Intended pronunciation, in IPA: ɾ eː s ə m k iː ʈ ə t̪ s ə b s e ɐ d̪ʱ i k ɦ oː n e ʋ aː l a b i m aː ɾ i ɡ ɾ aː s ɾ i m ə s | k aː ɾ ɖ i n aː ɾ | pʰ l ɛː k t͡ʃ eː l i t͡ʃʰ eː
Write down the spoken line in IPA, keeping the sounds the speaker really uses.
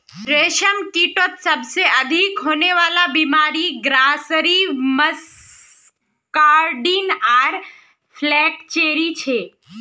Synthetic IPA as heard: ɾ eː ʃ ə m k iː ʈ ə t̪ s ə b s e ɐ d̪ʱ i k ɦ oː n e ʋ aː l a b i m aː ɾ i ɡ ɾ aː s ɾ i m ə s | k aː ɾ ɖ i n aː ɾ | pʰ l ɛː k t͡ʃ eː ɾ i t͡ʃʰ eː